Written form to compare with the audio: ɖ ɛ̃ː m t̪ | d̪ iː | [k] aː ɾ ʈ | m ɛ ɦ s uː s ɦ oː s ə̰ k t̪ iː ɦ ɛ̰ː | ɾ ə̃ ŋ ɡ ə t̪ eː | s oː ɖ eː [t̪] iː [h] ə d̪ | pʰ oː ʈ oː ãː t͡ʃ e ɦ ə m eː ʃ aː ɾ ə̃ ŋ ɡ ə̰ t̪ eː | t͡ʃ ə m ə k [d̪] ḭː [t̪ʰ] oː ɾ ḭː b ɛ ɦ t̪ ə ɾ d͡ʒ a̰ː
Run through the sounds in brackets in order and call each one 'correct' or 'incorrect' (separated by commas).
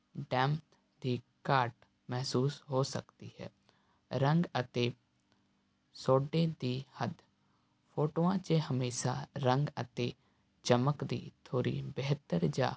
correct, incorrect, correct, correct, correct